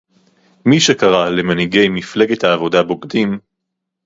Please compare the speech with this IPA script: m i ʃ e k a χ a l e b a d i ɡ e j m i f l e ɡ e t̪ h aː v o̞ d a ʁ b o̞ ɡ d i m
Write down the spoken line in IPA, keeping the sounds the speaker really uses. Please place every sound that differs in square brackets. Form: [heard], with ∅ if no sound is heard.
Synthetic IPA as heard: m i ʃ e k a [ʁ] a l e [m] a [n] i ɡ e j m i f l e ɡ e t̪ h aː v o̞ d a [∅] b o̞ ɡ d i m